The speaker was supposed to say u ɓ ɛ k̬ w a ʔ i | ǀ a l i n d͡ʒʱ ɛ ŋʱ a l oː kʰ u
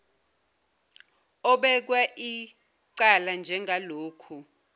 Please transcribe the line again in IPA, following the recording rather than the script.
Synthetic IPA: ɔ ɓ ɛ k̬ w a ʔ i | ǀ a l a n d͡ʒʱ ɛ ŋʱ a l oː kʰ u